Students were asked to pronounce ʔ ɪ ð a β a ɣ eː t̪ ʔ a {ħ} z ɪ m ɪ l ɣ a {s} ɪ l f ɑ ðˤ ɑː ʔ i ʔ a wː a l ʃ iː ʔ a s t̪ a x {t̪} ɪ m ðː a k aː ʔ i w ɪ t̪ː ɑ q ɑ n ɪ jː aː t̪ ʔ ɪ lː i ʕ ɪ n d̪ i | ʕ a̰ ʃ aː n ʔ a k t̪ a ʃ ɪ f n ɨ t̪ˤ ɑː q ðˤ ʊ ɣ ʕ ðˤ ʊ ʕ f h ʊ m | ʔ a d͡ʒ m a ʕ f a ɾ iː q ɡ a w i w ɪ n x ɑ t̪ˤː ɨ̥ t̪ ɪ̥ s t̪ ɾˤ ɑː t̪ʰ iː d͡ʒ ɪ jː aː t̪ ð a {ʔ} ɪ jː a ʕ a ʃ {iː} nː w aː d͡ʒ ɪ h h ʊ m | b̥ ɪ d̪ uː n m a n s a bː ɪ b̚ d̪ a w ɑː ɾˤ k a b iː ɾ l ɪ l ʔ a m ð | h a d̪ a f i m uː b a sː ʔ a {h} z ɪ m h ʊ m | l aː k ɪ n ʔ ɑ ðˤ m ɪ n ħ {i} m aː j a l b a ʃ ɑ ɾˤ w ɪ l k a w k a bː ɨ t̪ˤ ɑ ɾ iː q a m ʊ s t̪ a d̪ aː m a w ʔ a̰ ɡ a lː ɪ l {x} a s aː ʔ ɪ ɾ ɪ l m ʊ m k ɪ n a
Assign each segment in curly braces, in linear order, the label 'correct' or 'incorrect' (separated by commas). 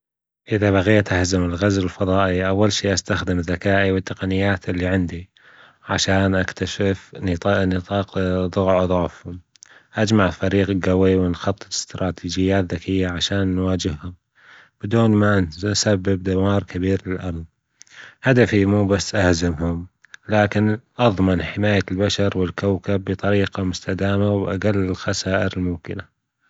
incorrect, incorrect, incorrect, incorrect, incorrect, correct, incorrect, correct